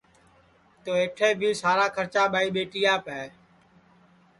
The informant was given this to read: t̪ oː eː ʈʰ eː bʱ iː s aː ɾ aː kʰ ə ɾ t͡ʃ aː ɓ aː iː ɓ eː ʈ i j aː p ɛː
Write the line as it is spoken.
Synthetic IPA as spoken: t̪ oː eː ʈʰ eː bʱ iː s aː ɾ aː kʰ ə ɾ t͡ʃ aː ɓ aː iː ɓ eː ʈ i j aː p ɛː